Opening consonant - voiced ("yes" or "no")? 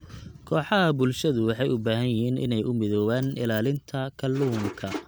no